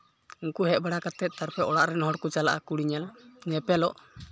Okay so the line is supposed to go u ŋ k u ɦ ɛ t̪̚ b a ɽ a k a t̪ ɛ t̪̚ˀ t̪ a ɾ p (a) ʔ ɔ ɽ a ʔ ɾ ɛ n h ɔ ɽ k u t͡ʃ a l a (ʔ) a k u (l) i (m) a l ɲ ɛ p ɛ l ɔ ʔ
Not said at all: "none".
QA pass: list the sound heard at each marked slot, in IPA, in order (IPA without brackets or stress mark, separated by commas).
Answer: ɛ, ʔ, ɽ, ɲ